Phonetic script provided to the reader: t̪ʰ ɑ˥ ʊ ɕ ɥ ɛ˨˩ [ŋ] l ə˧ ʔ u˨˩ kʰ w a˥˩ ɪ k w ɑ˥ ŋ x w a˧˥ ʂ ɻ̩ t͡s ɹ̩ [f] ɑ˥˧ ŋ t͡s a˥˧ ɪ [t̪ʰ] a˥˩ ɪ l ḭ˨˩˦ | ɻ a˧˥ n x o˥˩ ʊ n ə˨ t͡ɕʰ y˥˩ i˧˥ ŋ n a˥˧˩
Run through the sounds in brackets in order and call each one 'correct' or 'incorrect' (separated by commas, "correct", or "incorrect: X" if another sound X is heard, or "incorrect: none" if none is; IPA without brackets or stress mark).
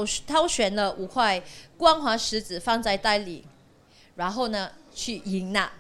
incorrect: n, correct, incorrect: t̪